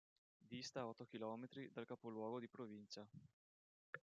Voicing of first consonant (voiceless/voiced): voiced